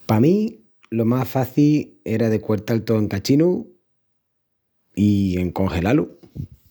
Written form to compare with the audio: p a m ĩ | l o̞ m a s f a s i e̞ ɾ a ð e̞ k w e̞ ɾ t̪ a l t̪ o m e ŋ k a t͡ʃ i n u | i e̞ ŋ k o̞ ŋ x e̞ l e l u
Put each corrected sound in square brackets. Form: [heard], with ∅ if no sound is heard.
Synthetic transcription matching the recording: p a m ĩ | l o̞ m a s f a [θ] i e̞ ɾ a ð e̞ k w e̞ ɾ t̪ a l t̪ o [∅] e ŋ k a t͡ʃ i n u | i e̞ ŋ k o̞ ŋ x e̞ l [a] l u